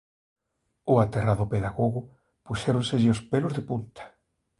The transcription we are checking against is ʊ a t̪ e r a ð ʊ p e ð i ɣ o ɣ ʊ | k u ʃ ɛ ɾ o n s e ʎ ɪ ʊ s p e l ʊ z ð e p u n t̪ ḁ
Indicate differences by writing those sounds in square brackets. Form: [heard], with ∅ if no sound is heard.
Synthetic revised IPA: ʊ a t̪ e r a ð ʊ p e ð [a] ɣ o ɣ ʊ | [p] u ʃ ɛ ɾ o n s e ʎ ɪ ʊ s p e l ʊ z ð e p u n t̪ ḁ

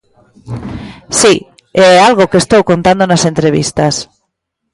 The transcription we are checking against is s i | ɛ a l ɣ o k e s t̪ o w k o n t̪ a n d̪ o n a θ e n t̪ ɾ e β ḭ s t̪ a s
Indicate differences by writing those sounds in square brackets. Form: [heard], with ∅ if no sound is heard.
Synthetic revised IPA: s i | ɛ a l ɣ o k e s t̪ o w k o n t̪ a n d̪ o n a [s] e n t̪ ɾ e β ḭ s t̪ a s

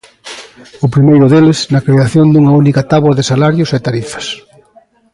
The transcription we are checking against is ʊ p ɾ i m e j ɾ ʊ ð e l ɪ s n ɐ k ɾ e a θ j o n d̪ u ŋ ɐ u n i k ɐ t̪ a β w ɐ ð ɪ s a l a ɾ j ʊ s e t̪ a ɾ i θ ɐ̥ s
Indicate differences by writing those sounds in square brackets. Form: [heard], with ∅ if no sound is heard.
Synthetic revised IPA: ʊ p ɾ i m e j ɾ ʊ ð e l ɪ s n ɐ k ɾ e a θ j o n d̪ u ŋ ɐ u n i k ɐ t̪ a β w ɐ ð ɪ s a l a ɾ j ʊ s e t̪ a ɾ i [f] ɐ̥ s

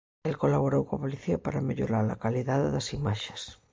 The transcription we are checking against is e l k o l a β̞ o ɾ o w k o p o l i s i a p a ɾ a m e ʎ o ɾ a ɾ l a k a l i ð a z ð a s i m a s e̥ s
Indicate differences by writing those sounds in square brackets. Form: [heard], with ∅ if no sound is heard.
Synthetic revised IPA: e l k o l a β̞ o ɾ o w k o p o l i [θ] i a p a ɾ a m e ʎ o ɾ a ɾ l a k a l i ð a [ð] ð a s i m a [ʃ] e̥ s

